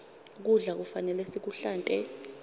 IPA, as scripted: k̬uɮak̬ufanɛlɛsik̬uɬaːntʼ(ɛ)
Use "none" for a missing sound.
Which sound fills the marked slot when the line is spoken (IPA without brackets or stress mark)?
ɛ